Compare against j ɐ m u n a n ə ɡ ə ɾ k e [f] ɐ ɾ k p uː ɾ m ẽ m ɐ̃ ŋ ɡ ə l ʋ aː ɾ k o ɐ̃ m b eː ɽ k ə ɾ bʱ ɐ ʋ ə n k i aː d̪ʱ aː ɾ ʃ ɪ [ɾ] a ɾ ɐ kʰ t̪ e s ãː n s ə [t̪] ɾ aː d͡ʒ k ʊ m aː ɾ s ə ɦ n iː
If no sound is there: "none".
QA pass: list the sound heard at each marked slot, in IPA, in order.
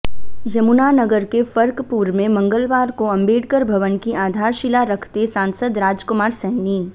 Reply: f, l, d̪

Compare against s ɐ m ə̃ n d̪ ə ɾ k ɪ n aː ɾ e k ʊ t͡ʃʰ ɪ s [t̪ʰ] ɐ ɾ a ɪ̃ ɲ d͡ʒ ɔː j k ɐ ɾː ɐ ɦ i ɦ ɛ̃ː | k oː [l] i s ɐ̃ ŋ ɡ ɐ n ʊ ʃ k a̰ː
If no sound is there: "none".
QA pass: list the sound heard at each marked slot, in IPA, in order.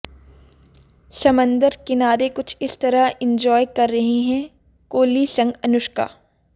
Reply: t̪, l

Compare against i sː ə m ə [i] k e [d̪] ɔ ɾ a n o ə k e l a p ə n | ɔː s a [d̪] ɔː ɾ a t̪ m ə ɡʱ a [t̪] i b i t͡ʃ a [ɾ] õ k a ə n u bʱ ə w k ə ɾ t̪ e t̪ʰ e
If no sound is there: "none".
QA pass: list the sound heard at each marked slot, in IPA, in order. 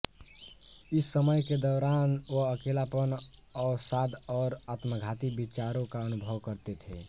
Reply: j, d̪, d̪, t̪, ɾ

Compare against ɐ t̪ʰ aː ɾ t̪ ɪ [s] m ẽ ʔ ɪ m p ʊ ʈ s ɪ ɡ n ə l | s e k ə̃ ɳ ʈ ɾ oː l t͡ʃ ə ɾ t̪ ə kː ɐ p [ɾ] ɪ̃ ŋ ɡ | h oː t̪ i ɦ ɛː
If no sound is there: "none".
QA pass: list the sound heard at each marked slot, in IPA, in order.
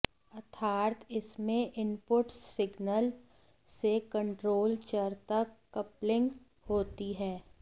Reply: s, l

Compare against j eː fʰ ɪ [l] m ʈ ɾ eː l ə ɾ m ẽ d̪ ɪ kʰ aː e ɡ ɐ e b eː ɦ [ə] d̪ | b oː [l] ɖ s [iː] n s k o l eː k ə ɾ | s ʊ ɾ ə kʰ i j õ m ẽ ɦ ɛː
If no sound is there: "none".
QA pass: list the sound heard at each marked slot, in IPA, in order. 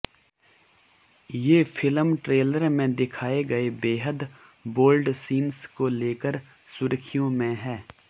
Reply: l, ə, l, iː

